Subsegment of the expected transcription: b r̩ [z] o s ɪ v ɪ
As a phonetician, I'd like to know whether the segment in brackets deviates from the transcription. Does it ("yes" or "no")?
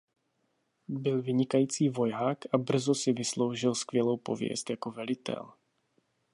no